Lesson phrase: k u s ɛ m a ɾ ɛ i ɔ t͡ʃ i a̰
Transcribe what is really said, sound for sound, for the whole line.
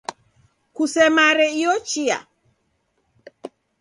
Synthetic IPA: k u s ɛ m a ɾ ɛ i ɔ t͡ʃ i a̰